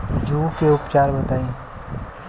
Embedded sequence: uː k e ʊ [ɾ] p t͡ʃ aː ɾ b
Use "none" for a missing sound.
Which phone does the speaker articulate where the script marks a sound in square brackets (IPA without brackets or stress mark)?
none